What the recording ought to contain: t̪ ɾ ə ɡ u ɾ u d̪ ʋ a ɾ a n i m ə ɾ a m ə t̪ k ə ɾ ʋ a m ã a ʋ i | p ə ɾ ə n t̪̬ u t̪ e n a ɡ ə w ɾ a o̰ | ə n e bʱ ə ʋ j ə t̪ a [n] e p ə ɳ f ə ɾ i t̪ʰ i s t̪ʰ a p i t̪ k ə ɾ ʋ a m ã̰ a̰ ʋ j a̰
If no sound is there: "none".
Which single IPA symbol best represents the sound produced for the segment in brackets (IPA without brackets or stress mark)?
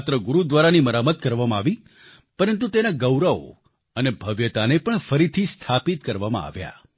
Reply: n